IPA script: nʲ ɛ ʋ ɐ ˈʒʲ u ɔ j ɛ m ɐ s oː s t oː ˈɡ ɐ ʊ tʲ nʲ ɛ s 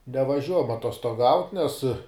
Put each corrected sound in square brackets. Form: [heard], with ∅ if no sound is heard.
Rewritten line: nʲ ɛ ʋ ɐ ˈʒʲ u ɔ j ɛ m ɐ [t] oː s t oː ˈɡ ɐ ʊ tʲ nʲ ɛ s